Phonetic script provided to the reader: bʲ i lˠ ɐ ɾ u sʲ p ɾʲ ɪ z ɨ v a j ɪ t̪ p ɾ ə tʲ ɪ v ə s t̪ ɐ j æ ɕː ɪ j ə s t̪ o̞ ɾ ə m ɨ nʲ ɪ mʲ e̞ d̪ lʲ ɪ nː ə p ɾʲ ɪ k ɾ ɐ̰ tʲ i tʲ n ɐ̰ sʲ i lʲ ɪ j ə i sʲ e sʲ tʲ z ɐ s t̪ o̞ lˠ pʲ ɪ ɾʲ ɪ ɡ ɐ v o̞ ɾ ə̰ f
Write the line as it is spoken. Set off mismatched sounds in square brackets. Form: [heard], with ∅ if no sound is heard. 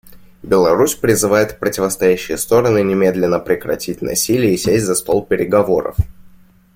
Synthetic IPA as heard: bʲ [ɪ] lˠ ɐ ɾ u sʲ p ɾʲ ɪ z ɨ v a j ɪ t̪ p ɾ ə tʲ ɪ v ə s t̪ ɐ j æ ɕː ɪ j ə s t̪ o̞ ɾ ə [n] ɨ nʲ ɪ mʲ e̞ d̪ lʲ ɪ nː ə p ɾʲ ɪ k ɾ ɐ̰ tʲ i tʲ n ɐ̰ sʲ i lʲ ɪ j ə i sʲ e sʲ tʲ z ɐ s t̪ o̞ lˠ pʲ ɪ ɾʲ ɪ ɡ ɐ v o̞ ɾ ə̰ f